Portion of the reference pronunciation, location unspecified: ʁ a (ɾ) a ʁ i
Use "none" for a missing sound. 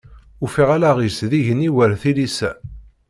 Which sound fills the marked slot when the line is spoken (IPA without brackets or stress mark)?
l